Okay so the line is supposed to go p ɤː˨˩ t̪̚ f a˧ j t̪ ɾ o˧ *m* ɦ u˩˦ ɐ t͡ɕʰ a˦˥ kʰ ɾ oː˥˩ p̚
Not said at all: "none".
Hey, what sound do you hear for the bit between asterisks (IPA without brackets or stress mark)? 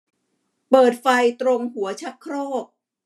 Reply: ŋ